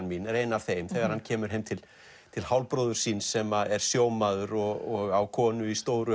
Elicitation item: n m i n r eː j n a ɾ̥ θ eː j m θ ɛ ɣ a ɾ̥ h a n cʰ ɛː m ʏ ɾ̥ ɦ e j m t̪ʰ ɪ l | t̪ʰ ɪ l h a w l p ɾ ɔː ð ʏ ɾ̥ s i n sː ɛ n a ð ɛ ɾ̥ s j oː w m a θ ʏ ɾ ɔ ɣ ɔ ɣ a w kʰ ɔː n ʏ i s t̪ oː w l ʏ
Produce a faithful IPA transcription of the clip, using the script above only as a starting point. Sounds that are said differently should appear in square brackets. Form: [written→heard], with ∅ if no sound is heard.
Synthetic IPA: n m i n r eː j n a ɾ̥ θ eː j m θ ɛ ɣ a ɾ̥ h a n cʰ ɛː m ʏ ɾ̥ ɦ e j m t̪ʰ ɪ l | t̪ʰ ɪ l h a w l p ɾ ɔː ð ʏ ɾ̥ s i n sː ɛ [n→m] a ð ɛ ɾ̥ s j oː w m a [θ→ð] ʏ ɾ ɔ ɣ ɔ ɣ a w kʰ ɔː n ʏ i s t̪ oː w [l→ɾ] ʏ